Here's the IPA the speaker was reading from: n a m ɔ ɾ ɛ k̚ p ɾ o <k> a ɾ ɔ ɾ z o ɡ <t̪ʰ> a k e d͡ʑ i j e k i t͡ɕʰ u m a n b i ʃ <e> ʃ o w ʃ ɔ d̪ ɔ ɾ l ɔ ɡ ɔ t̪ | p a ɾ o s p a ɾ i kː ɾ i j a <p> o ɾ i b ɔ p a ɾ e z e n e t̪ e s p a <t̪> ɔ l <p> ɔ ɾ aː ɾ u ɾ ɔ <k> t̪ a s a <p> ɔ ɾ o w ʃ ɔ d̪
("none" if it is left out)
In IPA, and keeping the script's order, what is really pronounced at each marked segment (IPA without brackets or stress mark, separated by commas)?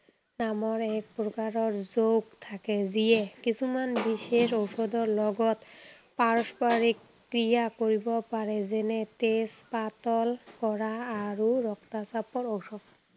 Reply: k, t̪ʰ, e, k, t̪, k, k, p